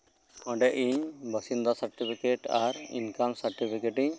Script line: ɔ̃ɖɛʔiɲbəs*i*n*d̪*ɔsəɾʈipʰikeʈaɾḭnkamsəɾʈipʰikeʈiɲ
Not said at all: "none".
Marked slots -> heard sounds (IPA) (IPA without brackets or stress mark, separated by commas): i, d̪